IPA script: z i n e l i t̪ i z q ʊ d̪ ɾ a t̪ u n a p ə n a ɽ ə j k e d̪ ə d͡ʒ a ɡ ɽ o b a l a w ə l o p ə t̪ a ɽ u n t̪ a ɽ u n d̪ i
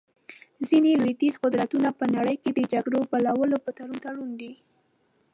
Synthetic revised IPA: z i n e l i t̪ i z q ʊ d̪ ɾ a t̪ u n a p ə n a ɽ ə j k e d̪ ə d͡ʒ a ɡ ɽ o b a l a w ə l o p ə t̪ a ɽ u n t̪ a ɽ u n d̪ i